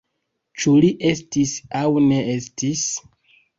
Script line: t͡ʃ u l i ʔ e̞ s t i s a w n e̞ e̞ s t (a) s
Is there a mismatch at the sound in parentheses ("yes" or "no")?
yes